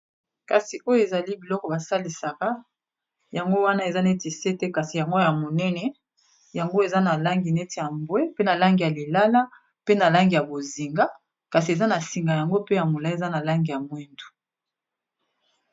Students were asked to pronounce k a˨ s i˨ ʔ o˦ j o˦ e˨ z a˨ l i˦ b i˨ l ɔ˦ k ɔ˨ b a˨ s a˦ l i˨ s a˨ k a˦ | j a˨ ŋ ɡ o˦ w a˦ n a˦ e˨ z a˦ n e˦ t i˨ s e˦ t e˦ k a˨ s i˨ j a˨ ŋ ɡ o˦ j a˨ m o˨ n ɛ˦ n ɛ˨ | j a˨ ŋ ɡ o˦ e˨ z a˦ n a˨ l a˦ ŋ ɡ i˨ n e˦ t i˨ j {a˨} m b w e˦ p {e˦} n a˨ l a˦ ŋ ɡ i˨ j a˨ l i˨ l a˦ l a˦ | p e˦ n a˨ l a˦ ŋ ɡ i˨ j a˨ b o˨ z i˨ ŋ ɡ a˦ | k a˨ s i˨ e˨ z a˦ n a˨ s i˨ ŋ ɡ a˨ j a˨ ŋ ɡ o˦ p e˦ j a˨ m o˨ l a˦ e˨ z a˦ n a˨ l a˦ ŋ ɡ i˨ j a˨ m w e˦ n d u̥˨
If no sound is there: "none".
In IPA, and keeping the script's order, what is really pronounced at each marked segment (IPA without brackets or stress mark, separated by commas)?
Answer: a˨, e˦